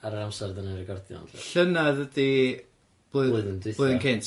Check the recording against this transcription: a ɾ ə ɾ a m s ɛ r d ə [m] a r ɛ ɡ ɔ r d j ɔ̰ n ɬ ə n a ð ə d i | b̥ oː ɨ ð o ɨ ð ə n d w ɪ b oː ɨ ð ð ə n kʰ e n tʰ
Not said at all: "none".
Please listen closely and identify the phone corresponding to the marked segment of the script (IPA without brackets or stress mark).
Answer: n